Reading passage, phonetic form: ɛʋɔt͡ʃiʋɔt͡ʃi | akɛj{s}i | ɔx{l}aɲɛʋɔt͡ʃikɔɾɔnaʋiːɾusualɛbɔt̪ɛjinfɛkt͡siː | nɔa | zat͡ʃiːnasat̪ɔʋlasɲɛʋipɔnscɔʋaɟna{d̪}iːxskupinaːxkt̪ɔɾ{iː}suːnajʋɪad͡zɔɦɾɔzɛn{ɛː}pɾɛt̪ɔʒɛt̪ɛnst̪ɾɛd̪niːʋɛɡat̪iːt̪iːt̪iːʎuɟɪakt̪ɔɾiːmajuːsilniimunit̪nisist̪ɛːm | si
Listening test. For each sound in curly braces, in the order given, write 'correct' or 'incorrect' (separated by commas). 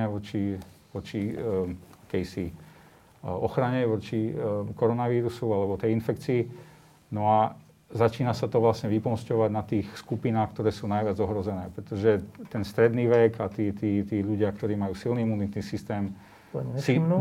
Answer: correct, incorrect, incorrect, incorrect, correct